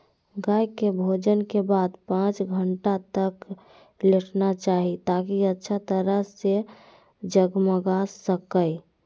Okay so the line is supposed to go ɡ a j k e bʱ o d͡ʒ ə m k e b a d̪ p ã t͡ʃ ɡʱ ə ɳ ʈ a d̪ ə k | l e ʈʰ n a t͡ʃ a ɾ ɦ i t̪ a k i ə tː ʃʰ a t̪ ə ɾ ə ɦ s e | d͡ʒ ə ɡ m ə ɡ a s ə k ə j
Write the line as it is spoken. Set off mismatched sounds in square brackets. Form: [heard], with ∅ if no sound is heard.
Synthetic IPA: ɡ a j k e bʱ o d͡ʒ ə [n] k e b a d̪ p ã t͡ʃ ɡʱ ə ɳ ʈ a [t̪] ə k | l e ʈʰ n a t͡ʃ a [∅] ɦ i t̪ a k i ə tː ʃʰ a t̪ ə ɾ ə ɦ s e | d͡ʒ ə ɡ m ə ɡ a s ə k ə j